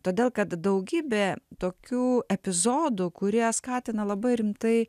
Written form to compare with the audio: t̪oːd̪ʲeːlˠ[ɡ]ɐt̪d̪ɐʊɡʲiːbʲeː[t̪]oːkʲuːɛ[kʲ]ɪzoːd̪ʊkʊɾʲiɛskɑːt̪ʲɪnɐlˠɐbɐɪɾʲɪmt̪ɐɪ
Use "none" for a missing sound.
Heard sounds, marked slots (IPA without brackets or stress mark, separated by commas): k, t̪, pʲ